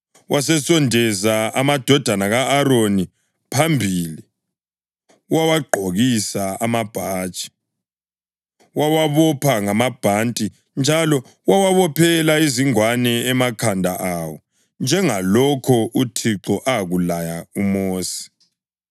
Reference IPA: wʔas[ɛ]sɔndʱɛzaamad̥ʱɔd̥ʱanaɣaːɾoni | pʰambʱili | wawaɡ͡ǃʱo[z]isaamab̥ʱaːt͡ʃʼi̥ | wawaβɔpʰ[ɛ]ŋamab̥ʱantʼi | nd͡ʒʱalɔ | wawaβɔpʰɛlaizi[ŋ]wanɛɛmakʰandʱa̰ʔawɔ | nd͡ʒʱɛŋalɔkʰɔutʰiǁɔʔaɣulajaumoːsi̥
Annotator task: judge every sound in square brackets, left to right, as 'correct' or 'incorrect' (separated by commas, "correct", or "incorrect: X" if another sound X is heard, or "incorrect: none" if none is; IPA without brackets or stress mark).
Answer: correct, incorrect: ɣ, incorrect: a, correct